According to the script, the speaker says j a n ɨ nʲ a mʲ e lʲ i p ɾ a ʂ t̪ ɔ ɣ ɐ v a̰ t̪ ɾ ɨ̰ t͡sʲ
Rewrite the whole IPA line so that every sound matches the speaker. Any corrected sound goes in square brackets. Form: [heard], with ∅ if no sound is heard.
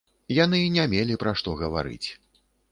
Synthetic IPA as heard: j a n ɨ nʲ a mʲ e lʲ i p ɾ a ʂ t̪ ɔ ɣ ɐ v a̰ [∅] ɾ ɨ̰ t͡sʲ